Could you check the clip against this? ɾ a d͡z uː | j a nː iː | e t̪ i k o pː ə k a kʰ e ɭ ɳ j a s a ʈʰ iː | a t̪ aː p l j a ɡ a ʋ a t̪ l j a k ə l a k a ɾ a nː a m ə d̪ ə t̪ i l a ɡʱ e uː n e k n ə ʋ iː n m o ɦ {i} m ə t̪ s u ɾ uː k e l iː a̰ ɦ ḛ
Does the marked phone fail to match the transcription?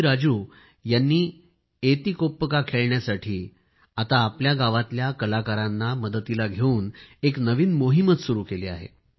no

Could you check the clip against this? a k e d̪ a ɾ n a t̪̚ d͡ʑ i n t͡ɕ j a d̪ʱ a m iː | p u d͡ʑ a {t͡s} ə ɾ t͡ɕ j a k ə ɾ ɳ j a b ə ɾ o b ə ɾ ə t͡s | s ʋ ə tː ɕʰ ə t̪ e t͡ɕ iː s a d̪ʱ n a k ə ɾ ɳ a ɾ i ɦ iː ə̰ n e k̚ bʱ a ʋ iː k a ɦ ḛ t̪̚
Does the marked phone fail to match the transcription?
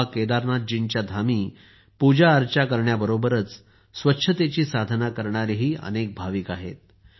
yes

